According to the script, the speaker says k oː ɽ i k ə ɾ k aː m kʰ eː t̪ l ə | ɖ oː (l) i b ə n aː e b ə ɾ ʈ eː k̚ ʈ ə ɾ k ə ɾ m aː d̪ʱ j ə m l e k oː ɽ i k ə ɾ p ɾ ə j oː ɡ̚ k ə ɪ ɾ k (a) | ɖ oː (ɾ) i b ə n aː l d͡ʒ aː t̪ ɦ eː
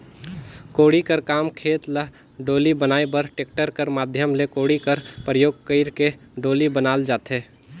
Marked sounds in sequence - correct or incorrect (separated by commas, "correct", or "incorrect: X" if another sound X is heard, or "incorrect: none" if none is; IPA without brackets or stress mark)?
correct, incorrect: e, incorrect: l